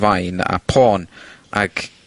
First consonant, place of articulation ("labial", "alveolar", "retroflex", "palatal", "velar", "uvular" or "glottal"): labial